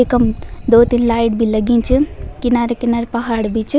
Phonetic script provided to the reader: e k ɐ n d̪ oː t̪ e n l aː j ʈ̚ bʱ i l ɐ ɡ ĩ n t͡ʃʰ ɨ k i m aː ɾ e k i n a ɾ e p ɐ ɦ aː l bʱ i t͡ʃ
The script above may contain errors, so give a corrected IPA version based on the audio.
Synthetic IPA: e k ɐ m d̪ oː t̪ i n l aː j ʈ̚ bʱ i l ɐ ɡ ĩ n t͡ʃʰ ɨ k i n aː ɾ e k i n a ɾ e p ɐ ɦ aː ɽ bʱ i t͡ʃ